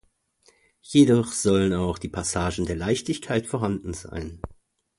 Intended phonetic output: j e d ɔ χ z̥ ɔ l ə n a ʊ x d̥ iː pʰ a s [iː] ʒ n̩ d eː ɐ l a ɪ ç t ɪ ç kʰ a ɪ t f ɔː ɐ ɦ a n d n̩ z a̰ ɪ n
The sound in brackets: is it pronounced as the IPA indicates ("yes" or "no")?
no